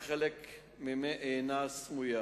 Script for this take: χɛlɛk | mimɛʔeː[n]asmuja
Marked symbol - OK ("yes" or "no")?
yes